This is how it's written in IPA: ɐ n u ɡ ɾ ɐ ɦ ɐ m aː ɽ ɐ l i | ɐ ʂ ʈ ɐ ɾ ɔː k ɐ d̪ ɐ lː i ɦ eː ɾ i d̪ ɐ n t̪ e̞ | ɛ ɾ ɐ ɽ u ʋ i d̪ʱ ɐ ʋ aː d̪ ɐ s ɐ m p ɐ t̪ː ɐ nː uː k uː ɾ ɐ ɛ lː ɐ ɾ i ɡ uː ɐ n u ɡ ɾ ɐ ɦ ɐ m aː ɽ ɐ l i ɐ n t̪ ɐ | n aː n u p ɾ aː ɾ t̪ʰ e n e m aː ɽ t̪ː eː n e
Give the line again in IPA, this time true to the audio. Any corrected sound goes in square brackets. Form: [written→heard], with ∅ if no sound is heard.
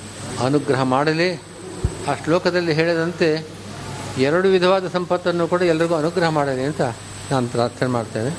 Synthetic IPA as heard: ɐ n u ɡ ɾ ɐ ɦ ɐ m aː ɽ ɐ l i | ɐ ʂ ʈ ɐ [ɾ→l] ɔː k ɐ d̪ ɐ lː i ɦ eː [ɾ→ɭ] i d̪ ɐ n t̪ e̞ | ɛ ɾ ɐ ɽ u ʋ i d̪ʱ ɐ ʋ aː d̪ ɐ s ɐ m p ɐ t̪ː ɐ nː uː k uː [ɾ→ɽ] ɐ ɛ lː ɐ ɾ i ɡ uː ɐ n u ɡ ɾ ɐ ɦ ɐ m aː ɽ ɐ l i ɐ n t̪ ɐ | n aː n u p ɾ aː ɾ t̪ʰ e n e m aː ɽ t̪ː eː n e